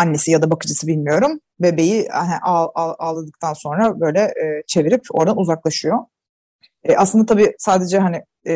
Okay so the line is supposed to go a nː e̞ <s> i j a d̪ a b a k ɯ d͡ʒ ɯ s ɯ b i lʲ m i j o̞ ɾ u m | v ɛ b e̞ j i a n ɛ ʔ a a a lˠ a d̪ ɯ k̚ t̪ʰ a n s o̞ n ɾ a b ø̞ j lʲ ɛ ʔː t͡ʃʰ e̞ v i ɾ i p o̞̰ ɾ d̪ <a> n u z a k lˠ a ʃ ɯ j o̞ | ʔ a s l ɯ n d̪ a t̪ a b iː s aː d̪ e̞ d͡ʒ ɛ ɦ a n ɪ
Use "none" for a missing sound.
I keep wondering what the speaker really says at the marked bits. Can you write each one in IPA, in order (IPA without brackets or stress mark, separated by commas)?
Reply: s, a